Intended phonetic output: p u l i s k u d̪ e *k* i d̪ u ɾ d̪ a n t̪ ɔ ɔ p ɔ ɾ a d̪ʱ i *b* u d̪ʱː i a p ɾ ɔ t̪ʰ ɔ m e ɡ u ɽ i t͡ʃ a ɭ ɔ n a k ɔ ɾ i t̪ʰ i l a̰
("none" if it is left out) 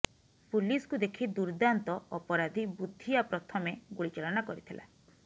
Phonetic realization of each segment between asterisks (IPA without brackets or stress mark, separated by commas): kʰ, b